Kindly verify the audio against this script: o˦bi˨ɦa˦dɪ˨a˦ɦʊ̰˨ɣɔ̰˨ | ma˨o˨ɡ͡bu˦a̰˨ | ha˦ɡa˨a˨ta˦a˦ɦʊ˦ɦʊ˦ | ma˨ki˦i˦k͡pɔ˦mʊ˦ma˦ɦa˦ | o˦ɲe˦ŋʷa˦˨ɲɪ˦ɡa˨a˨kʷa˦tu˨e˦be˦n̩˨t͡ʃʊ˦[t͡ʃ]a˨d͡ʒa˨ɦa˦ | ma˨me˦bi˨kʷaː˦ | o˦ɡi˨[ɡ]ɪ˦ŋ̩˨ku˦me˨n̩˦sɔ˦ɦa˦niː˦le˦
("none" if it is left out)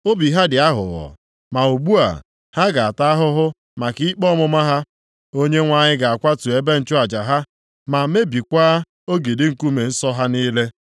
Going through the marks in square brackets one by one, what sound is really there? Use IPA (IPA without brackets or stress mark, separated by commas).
none, d